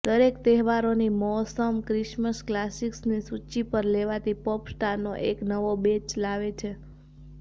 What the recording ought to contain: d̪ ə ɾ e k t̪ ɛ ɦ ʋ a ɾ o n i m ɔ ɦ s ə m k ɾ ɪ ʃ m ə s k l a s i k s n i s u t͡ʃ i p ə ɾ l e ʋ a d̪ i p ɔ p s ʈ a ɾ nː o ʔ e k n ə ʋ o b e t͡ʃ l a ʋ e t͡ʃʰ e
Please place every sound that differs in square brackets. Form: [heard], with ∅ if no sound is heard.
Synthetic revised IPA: d̪ ə ɾ e k t̪ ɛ ɦ ʋ a ɾ o n i m ɔ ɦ s ə m k ɾ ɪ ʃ m ə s k l a s i k s n i s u t͡ʃ i p ə ɾ l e ʋ a [t̪] i p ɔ p s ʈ a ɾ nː o ʔ e k n ə ʋ o b e t͡ʃ l a ʋ e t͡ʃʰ e